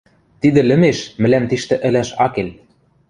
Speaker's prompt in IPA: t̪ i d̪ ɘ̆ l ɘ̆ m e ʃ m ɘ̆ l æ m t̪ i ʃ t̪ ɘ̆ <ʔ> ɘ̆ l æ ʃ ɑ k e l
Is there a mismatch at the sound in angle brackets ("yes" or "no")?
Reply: no